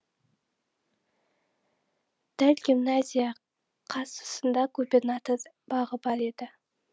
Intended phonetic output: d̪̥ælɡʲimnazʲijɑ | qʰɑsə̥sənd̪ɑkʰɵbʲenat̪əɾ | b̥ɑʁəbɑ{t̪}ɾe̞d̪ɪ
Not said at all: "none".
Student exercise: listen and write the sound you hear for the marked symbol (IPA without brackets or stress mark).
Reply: none